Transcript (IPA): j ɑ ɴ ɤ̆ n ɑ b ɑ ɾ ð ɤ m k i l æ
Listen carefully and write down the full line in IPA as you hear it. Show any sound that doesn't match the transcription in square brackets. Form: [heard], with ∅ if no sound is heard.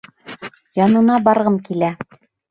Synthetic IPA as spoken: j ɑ [n] ɤ̆ n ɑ b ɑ ɾ [ʁ] ɤ m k i l æ